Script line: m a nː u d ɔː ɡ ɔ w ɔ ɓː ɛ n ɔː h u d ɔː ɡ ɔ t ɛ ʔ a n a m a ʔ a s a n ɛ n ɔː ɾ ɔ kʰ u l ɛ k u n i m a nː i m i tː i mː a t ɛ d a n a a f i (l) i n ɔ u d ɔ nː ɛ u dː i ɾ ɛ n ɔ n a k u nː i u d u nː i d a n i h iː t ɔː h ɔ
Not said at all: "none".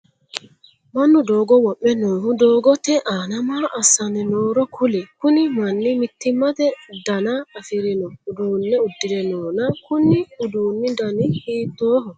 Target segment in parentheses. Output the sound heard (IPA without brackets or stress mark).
ɾ